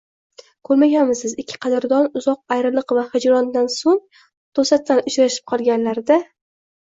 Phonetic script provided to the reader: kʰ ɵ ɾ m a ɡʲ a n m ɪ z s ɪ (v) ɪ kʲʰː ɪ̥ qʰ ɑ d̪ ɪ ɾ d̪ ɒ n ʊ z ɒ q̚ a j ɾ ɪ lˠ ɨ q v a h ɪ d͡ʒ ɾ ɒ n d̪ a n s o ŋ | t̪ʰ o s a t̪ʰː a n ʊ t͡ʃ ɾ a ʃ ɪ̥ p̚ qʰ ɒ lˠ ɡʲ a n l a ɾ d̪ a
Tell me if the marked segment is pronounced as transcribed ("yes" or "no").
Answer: no